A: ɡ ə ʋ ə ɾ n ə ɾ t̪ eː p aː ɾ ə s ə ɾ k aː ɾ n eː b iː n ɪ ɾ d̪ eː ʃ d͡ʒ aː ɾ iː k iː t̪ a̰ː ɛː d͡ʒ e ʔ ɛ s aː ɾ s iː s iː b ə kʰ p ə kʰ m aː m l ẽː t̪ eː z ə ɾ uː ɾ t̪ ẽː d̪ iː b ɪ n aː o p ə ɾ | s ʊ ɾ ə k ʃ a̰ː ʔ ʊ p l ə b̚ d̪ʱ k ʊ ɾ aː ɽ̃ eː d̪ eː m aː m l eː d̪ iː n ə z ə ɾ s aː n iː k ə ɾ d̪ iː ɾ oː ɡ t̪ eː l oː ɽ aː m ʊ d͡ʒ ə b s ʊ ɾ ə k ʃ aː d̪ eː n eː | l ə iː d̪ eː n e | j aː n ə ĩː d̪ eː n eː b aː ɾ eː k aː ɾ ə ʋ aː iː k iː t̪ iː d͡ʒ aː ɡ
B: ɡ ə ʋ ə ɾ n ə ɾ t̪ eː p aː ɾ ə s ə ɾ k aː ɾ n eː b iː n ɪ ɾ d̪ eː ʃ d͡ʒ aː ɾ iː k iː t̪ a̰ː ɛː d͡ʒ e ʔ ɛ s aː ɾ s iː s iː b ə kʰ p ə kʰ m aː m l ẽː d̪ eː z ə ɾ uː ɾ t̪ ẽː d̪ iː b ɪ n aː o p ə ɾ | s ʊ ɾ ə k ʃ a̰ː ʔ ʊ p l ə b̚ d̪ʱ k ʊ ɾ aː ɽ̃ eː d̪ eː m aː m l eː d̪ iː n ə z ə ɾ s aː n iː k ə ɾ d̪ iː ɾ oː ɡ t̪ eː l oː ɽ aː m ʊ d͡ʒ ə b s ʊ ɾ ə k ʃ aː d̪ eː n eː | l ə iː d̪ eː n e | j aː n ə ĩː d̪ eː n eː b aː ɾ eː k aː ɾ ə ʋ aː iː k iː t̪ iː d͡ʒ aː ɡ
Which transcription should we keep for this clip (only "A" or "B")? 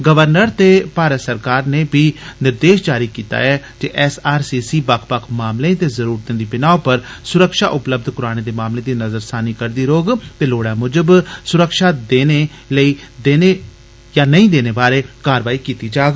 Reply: A